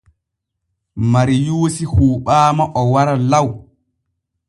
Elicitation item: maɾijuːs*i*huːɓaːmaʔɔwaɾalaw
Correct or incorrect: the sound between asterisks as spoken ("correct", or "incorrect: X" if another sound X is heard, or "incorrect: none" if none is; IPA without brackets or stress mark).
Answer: correct